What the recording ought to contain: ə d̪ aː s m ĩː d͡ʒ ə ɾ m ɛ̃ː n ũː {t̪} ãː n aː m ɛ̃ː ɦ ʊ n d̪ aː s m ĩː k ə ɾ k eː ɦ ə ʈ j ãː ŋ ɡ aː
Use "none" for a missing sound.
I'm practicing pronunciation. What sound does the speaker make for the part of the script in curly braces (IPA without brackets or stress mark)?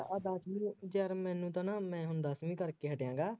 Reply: t̪